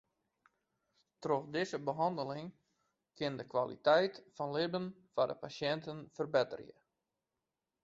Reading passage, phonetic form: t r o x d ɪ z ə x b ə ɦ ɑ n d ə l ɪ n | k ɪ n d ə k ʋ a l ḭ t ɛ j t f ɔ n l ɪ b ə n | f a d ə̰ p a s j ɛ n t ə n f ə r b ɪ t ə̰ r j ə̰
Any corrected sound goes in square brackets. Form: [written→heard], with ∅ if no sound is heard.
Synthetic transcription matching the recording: t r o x d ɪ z ə [x→∅] b ə ɦ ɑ n d ə l ɪ [n→ŋ] | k ɪ n d ə k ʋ a l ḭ t ɛ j t f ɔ n l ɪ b ə n | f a d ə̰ p a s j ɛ n t ə n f ə r b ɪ t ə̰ r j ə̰